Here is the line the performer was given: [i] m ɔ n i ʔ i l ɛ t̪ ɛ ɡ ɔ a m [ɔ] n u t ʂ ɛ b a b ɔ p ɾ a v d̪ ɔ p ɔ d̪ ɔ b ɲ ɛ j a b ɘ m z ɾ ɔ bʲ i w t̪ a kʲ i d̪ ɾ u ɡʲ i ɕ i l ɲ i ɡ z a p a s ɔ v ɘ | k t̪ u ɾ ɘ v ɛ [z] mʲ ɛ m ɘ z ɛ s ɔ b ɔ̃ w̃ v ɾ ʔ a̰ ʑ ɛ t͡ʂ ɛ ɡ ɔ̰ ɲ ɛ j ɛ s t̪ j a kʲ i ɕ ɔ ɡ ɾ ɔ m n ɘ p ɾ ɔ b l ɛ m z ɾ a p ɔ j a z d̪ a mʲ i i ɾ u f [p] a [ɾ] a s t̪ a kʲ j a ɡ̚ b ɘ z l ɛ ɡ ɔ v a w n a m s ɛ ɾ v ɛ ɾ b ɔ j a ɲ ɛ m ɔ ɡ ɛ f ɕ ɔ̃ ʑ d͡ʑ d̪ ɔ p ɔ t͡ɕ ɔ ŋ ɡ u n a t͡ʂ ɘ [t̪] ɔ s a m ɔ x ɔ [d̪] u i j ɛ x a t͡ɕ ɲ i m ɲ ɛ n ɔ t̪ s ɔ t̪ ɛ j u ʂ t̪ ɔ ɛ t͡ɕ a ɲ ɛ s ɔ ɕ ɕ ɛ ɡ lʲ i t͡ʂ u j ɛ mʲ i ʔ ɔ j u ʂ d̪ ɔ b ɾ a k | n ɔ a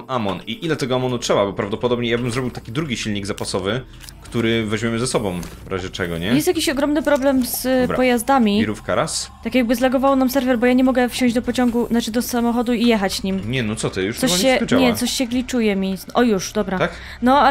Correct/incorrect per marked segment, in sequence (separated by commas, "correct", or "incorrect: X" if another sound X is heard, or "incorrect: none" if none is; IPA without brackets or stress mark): incorrect: a, correct, incorrect: ʑ, incorrect: k, correct, incorrect: d̪, correct